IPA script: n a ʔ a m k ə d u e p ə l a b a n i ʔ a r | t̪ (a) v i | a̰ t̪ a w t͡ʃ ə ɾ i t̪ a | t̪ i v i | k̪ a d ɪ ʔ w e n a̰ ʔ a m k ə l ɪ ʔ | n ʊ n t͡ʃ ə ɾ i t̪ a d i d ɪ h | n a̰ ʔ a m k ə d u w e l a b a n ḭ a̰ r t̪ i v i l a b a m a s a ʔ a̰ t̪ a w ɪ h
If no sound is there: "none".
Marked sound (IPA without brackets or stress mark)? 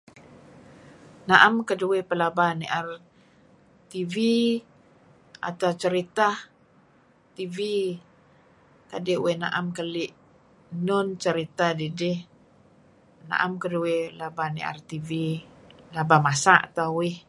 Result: i